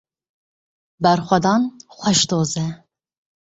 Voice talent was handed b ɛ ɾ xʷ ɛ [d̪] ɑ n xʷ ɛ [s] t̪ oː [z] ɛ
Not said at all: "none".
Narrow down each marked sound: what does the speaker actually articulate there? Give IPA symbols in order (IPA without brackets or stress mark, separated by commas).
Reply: d̪, ʃ, z